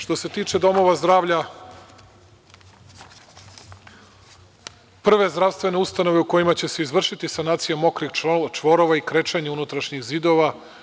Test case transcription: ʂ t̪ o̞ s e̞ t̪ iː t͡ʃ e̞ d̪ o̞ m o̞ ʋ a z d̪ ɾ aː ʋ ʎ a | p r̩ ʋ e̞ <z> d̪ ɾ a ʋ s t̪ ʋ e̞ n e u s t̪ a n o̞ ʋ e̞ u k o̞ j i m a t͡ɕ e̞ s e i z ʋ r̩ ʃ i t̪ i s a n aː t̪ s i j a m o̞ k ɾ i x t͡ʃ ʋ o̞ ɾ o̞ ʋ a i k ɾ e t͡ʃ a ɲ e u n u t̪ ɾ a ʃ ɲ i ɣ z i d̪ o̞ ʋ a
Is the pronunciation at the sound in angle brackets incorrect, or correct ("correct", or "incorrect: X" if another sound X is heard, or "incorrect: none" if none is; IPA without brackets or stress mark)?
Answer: correct